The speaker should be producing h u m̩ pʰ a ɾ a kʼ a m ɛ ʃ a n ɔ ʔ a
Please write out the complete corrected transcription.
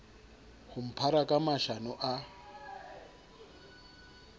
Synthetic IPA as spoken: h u m̩ pʰ a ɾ a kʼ a m a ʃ a n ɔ ʔ a